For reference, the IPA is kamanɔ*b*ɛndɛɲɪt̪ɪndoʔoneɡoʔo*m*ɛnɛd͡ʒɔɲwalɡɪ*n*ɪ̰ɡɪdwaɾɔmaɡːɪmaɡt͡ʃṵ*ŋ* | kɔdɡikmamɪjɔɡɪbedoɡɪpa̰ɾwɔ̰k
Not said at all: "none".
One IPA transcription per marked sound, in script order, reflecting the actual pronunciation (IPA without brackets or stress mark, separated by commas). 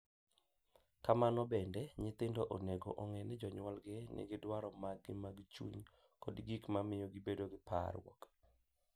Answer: b, ŋ, n, ɲ